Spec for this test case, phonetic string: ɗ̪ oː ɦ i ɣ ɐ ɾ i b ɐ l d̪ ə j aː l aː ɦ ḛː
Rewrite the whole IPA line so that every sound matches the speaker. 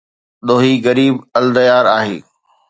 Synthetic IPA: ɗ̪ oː ɦ i ɣ ɐ ɾ iː b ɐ l d̪ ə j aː ɾ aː ɦ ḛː